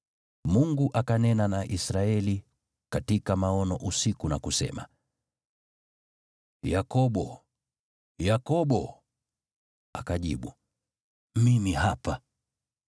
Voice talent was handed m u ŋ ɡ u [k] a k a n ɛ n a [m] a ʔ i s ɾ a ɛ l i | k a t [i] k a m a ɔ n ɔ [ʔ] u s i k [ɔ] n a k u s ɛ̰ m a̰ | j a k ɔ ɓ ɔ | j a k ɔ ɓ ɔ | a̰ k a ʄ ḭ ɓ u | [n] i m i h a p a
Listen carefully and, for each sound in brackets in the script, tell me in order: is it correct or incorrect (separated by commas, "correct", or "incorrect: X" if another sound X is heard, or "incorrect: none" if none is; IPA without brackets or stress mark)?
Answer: incorrect: ʔ, incorrect: n, correct, correct, incorrect: u, incorrect: m